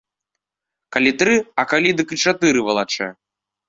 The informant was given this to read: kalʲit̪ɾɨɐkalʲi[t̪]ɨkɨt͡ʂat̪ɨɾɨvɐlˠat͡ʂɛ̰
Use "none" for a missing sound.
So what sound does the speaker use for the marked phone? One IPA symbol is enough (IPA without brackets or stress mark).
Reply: d̪